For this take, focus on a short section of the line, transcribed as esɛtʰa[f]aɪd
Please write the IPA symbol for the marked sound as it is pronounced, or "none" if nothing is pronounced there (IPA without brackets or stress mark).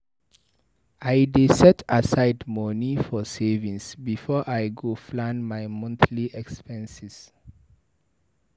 s